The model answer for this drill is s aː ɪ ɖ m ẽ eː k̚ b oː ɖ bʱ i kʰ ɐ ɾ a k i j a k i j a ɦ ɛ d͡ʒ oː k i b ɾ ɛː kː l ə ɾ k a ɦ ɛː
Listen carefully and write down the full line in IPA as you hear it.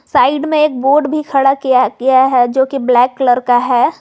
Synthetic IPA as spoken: s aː ɪ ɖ m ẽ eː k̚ b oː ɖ bʱ i kʰ ɐ ɽ a k i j a k i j a ɦ ɛ d͡ʒ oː k i b l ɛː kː l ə ɾ k a ɦ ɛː